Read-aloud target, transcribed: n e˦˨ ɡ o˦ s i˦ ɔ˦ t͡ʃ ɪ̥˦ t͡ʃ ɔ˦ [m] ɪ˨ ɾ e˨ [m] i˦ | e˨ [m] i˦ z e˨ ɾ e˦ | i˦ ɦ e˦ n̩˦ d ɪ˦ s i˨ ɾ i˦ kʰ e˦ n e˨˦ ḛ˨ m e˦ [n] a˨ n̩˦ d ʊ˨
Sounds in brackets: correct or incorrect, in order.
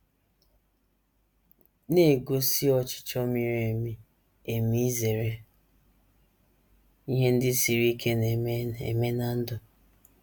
correct, correct, correct, correct

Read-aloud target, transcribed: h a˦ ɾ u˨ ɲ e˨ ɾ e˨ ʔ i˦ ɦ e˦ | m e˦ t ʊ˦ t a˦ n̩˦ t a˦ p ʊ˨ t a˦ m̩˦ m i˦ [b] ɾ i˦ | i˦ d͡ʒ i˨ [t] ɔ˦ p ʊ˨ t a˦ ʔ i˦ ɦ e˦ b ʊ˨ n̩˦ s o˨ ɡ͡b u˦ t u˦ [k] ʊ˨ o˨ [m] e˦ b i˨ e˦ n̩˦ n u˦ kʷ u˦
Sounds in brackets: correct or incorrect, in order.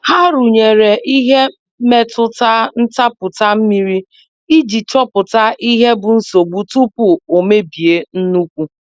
incorrect, incorrect, incorrect, correct

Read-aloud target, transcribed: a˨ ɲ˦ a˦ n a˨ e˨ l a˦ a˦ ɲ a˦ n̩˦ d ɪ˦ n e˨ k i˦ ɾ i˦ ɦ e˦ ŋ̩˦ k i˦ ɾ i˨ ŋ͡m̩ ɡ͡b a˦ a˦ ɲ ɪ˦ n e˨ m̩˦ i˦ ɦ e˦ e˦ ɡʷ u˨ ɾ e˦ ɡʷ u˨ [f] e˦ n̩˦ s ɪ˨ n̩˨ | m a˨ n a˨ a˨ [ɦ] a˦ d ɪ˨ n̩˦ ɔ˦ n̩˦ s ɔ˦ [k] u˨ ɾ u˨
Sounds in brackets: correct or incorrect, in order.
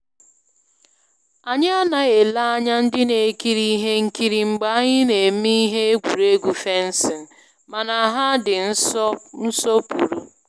correct, correct, incorrect

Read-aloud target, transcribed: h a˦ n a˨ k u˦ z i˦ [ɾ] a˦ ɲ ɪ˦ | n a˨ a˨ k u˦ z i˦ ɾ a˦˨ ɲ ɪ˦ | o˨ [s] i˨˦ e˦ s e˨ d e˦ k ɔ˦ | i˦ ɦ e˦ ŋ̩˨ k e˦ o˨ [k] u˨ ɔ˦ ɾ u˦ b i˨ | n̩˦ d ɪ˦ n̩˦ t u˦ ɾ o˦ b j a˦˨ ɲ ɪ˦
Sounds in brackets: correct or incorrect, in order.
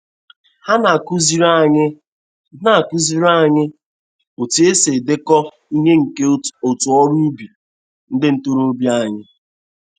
correct, incorrect, incorrect

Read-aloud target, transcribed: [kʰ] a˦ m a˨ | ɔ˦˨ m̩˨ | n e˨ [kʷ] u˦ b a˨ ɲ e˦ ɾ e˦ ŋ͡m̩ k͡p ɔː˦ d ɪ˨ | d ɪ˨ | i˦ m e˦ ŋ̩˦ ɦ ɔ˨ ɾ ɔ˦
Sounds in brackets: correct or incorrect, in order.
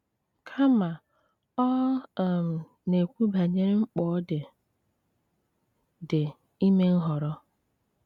correct, correct

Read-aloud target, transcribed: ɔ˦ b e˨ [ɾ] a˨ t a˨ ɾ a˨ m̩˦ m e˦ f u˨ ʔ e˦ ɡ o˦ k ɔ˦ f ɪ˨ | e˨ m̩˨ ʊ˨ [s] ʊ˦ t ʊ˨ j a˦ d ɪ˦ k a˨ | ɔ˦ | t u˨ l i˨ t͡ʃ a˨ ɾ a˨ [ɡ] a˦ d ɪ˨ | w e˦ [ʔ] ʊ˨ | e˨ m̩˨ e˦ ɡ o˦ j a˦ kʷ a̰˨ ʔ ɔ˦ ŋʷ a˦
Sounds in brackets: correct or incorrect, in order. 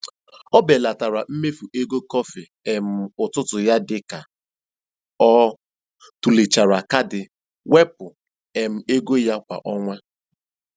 incorrect, incorrect, incorrect, incorrect

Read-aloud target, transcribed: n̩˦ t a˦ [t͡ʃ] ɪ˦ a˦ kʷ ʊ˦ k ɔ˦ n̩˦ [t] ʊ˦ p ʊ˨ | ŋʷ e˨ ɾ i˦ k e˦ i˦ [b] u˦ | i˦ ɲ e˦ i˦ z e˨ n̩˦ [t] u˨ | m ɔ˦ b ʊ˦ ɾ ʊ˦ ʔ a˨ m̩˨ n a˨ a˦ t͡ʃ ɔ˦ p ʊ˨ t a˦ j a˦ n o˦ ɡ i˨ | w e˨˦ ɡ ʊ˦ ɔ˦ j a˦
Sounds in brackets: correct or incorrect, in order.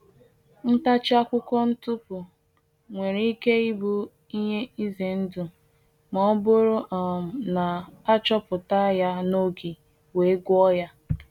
correct, correct, correct, incorrect

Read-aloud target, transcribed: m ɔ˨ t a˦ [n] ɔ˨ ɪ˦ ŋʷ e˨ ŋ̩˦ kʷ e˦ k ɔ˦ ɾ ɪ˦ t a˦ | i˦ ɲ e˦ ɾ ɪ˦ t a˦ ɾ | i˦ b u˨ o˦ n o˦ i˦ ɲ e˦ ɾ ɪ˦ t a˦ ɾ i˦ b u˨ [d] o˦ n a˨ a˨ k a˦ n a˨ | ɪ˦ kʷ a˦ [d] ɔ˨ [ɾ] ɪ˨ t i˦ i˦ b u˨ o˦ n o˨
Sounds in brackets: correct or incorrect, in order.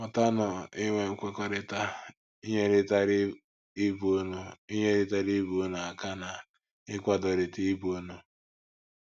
correct, incorrect, correct, correct

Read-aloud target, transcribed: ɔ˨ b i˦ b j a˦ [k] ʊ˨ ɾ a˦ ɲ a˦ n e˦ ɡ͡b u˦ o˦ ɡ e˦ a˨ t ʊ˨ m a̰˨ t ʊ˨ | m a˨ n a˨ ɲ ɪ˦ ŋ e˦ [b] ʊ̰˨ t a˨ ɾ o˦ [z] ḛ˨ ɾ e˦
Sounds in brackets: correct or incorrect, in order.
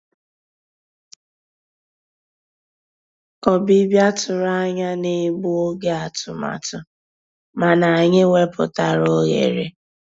incorrect, incorrect, incorrect

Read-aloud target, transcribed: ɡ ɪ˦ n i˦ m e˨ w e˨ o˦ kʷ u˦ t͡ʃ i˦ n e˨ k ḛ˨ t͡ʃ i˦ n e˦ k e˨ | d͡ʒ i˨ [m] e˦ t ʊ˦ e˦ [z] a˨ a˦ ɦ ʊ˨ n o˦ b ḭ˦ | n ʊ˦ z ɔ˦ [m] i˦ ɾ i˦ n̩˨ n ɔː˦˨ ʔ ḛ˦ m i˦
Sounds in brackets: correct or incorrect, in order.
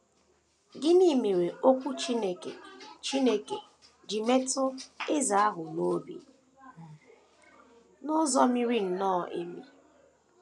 correct, correct, correct

